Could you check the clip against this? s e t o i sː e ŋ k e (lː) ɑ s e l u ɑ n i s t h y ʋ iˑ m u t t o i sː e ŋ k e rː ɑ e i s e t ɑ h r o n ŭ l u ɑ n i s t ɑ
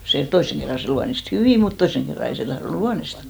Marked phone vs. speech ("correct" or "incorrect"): incorrect